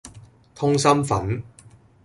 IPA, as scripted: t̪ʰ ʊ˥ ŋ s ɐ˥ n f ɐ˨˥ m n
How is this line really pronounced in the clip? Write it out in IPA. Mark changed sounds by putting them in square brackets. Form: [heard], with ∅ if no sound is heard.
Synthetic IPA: t̪ʰ ʊ˥ ŋ s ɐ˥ [m] f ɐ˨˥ [∅] n